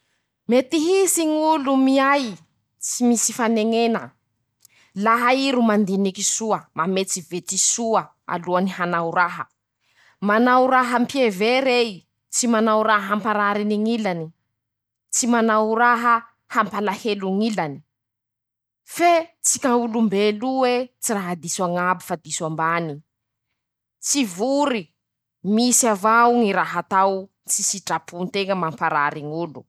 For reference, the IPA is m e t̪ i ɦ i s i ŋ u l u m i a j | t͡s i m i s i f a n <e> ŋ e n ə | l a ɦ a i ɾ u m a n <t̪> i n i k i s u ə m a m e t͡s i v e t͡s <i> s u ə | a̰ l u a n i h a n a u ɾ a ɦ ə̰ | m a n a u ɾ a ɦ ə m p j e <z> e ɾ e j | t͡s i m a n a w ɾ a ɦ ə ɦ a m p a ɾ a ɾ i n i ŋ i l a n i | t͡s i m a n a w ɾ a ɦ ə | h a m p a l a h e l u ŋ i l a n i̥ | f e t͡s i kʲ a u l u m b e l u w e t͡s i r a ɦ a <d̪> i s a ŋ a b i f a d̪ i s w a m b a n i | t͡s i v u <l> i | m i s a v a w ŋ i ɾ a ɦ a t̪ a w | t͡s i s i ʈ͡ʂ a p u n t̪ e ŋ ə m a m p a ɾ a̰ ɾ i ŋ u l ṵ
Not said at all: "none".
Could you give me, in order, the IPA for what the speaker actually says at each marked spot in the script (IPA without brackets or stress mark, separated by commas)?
e, d̪, i, v, d̪, ɾ